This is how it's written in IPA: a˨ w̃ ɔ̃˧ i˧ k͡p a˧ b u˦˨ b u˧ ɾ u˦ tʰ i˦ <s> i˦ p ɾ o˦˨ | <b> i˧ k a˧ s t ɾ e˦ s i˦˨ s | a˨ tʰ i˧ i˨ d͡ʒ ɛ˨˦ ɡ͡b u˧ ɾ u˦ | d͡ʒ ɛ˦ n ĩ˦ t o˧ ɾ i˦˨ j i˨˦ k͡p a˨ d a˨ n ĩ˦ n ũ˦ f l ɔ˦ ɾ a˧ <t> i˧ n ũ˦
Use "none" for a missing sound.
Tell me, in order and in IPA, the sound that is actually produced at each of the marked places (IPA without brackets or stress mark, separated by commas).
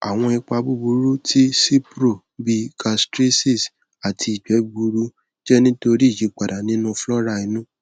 s, b, none